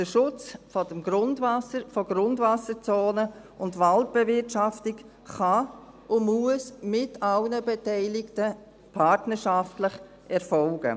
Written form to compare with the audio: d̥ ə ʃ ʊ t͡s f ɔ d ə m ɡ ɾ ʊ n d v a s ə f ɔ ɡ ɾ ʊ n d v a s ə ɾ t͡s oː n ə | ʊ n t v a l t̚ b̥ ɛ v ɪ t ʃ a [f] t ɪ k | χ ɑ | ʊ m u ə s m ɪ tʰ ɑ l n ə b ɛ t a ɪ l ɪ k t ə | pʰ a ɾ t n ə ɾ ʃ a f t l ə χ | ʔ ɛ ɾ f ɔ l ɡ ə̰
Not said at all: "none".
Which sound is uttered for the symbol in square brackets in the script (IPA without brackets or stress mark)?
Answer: f